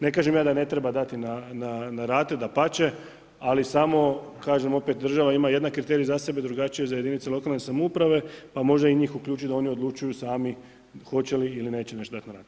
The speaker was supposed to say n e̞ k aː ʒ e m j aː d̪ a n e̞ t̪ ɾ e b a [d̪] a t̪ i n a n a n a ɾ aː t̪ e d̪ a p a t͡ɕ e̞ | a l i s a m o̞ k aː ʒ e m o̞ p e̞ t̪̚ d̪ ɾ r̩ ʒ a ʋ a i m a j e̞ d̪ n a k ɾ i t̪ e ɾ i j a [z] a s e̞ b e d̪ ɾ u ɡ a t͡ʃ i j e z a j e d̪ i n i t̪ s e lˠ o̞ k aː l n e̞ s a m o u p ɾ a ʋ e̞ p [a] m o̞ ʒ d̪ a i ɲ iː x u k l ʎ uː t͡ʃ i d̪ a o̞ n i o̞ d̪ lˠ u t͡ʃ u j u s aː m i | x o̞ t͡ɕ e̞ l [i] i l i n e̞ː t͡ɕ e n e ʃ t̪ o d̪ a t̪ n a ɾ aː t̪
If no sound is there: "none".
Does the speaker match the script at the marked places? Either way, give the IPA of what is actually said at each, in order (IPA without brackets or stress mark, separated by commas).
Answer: d̪, z, a, i